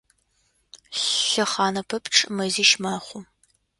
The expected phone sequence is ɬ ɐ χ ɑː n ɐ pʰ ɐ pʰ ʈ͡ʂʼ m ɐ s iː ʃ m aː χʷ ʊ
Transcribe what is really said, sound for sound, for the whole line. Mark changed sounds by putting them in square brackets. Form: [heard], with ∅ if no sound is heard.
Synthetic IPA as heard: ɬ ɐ χ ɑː n ɐ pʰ ɐ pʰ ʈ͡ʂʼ m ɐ [z] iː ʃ m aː χʷ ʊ